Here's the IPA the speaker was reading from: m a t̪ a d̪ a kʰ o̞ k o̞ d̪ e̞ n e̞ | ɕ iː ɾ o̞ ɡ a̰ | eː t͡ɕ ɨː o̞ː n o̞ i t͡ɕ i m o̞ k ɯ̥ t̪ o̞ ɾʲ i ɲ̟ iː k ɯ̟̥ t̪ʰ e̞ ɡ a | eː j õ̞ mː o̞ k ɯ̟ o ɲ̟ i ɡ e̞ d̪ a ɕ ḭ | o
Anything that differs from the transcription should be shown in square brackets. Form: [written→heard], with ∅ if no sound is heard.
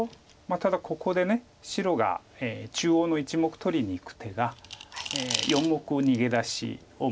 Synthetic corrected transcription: m a t̪ a d̪ a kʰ o̞ k o̞ d̪ e̞ n e̞ | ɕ [iː→i] ɾ o̞ ɡ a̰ | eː t͡ɕ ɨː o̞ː n o̞ i t͡ɕ i m o̞ k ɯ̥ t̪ o̞ ɾʲ i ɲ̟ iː k ɯ̟̥ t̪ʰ e̞ ɡ a | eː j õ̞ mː o̞ k ɯ̟ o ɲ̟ i ɡ e̞ d̪ a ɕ ḭ | o